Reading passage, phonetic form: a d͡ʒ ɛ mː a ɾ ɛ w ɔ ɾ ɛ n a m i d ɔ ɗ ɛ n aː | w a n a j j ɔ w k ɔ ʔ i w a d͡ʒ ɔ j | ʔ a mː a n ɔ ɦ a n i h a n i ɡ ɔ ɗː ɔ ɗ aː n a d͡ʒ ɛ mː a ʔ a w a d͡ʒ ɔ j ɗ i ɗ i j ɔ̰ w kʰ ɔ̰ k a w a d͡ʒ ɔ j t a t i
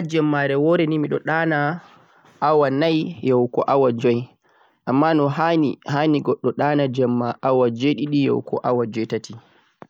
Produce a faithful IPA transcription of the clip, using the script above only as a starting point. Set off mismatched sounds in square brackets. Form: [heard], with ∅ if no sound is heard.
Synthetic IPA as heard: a d͡ʒ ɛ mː a ɾ ɛ w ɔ ɾ ɛ n [i] m i [ɗ] ɔ ɗ [a] n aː | w a n a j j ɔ w k ɔ ʔ [a] w a d͡ʒ ɔ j | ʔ a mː a n ɔ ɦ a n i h a n i ɡ ɔ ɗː ɔ ɗ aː n a d͡ʒ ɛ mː a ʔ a w a d͡ʒ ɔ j ɗ i ɗ i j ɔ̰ w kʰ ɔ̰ [ʔ] a w a d͡ʒ ɔ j t a t i

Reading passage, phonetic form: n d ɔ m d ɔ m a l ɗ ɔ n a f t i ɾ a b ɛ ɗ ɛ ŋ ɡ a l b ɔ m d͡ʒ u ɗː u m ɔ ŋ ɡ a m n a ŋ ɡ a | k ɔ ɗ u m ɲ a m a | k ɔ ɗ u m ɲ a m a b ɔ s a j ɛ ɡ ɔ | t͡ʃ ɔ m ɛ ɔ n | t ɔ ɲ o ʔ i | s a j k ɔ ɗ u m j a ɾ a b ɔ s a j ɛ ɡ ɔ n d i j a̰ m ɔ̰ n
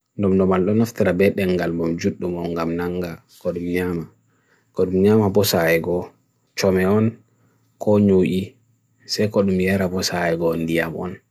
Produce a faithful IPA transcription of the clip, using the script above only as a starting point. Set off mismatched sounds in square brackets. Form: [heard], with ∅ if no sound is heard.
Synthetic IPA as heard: n d ɔ m d ɔ m a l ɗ ɔ n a f t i ɾ a b ɛ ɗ ɛ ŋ ɡ a l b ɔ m d͡ʒ u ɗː u m ɔ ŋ ɡ a m n a ŋ ɡ a | k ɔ ɗ u m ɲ a m a | k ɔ ɗ u m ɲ a m a b ɔ s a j ɛ ɡ ɔ | t͡ʃ ɔ m ɛ ɔ n | [k] ɔ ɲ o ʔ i | s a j k ɔ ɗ u m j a ɾ a b ɔ s a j ɛ ɡ ɔ n d i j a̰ m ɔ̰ n

